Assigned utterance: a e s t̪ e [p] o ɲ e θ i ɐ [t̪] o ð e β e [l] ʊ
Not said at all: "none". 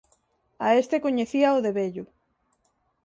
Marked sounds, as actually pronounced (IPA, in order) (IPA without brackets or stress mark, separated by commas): k, none, ʎ